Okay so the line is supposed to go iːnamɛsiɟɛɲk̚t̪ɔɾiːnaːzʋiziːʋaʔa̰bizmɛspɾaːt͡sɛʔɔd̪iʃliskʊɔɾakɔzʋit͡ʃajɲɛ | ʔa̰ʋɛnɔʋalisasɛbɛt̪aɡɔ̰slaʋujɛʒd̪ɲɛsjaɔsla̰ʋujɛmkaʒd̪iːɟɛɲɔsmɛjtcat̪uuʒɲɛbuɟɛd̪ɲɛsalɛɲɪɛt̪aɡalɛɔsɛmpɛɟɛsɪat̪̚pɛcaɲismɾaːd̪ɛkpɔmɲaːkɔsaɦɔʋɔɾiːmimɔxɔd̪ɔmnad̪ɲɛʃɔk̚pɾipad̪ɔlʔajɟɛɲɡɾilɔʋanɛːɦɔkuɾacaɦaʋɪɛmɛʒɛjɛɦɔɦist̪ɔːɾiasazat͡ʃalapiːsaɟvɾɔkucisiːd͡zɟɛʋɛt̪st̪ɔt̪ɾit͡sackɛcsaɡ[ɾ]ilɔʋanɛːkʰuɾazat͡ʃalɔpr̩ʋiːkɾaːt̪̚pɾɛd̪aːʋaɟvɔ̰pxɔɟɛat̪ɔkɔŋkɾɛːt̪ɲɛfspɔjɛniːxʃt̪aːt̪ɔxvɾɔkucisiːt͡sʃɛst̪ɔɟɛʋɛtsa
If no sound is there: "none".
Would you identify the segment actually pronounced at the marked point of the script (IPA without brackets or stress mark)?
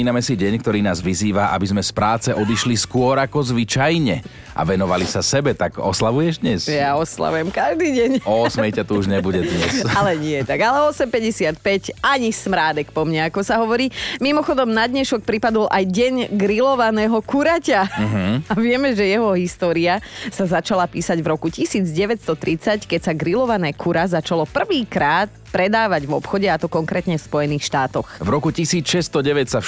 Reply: ɾ